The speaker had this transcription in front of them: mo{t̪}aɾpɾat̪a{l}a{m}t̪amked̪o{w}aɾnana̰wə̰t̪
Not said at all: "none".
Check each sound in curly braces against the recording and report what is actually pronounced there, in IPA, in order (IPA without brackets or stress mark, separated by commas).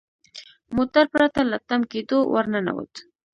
t̪, l, none, w